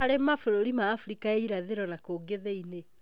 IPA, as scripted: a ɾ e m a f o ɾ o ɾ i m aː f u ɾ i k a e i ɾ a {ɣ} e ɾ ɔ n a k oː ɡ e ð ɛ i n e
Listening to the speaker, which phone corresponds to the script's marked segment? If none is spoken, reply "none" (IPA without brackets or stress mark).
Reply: ð